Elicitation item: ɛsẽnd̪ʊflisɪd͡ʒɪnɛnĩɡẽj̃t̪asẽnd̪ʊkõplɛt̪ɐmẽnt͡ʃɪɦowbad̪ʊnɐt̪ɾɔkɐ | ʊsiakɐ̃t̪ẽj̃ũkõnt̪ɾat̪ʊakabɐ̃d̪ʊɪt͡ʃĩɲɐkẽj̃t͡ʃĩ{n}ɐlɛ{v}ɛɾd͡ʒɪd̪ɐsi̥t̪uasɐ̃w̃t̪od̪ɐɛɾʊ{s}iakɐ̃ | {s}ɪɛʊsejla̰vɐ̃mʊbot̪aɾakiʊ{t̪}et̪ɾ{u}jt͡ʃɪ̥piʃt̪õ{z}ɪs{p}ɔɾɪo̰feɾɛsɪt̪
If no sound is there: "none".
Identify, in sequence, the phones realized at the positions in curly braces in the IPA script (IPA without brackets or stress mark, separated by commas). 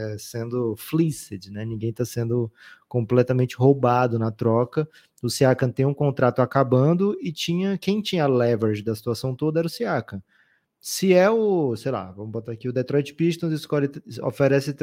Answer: ɲ, v, s, s, d̪, ɔ, z, k